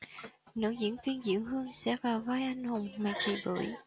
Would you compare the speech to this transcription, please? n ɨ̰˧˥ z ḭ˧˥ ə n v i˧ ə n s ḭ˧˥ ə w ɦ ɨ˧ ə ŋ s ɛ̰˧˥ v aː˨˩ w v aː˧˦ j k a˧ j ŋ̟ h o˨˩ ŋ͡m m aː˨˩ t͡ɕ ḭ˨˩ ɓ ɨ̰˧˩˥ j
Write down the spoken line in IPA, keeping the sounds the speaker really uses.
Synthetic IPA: n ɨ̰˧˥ z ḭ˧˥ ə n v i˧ ə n z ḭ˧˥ ə w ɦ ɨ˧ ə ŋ s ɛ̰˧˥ v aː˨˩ w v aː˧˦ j ʔ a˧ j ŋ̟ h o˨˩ ŋ͡m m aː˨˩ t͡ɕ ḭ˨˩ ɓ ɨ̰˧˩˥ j